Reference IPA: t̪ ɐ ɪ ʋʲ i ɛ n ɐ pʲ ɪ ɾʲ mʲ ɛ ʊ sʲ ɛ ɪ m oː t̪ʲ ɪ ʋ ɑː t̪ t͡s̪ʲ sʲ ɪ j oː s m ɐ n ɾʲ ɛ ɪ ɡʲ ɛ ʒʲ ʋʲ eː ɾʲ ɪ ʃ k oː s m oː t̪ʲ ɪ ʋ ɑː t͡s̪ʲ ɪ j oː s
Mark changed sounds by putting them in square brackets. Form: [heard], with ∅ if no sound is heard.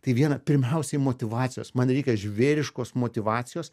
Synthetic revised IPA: t̪ ɐ ɪ ʋʲ i ɛ n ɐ pʲ ɪ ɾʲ mʲ ɛ ʊ sʲ ɛ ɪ m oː t̪ʲ ɪ ʋ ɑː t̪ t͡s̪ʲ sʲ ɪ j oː s m ɐ n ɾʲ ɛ ɪ [kʲ] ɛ ʒʲ ʋʲ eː ɾʲ ɪ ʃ k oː s m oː t̪ʲ ɪ ʋ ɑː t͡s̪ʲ ɪ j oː s